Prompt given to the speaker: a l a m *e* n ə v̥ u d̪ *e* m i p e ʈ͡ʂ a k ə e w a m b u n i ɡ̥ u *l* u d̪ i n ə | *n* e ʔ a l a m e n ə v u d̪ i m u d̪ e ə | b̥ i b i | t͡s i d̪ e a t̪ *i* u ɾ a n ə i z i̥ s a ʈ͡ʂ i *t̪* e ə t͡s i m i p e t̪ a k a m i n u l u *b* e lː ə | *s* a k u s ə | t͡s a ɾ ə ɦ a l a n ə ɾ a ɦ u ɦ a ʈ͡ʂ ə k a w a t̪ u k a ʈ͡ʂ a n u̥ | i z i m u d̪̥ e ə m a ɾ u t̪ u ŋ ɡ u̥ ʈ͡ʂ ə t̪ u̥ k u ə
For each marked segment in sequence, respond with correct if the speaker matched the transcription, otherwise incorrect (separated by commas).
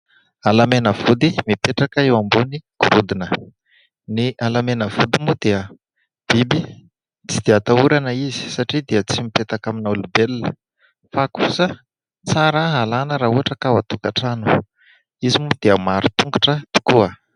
correct, incorrect, incorrect, correct, incorrect, incorrect, correct, incorrect